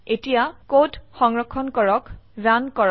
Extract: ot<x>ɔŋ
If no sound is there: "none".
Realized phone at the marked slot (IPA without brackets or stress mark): x